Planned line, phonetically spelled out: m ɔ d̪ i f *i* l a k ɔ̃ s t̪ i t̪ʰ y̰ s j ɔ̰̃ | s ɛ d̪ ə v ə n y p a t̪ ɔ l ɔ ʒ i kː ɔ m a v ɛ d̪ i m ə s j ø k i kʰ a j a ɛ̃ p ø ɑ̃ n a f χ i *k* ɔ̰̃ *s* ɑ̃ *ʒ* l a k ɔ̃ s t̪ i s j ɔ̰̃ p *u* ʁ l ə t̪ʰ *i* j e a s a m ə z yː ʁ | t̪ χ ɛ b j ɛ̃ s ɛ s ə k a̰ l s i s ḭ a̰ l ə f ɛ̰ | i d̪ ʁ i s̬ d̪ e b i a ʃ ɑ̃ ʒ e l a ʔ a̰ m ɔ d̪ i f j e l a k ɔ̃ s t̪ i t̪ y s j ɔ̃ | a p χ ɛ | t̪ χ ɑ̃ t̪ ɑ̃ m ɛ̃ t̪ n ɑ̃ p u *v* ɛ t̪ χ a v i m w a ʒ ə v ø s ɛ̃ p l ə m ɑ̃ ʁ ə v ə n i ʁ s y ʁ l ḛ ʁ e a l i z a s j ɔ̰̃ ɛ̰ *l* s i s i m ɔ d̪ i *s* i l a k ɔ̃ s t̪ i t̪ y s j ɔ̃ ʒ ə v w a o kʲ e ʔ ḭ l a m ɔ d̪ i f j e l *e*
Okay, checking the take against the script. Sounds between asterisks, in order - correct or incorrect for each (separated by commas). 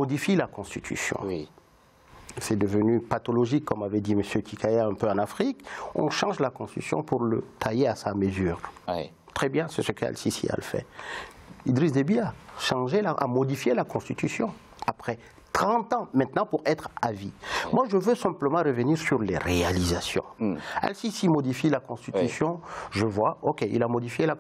correct, correct, incorrect, correct, correct, incorrect, incorrect, correct, incorrect, incorrect